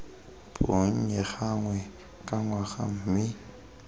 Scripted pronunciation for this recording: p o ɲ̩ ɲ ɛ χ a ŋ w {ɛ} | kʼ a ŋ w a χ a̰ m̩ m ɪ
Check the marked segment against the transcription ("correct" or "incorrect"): correct